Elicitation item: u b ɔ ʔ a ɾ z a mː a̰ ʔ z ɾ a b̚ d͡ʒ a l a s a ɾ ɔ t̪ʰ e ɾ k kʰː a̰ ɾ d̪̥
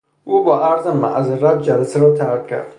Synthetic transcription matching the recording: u b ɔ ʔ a ɾ z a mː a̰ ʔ z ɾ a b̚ d͡ʒ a l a s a ɾ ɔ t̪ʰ a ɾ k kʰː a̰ ɾ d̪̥